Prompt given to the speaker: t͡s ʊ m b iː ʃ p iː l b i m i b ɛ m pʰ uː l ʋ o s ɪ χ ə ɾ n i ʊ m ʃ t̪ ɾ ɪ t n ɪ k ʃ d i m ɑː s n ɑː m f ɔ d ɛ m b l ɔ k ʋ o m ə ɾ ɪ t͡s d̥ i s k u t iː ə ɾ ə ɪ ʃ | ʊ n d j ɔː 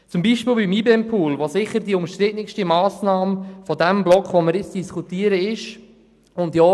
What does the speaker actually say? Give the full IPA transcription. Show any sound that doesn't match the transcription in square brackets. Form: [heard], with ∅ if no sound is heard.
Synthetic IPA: t͡s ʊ m b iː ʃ p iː l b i m i b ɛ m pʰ uː l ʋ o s ɪ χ ə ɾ [d] i ʊ m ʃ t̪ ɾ ɪ t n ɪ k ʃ [t] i m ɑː s n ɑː m f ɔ d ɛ m b l ɔ k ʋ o m ə ɾ ɪ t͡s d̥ i s k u t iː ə ɾ ə ɪ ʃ | ʊ n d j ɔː